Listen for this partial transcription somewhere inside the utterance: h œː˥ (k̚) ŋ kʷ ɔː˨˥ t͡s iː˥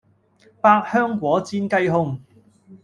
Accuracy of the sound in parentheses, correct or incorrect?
incorrect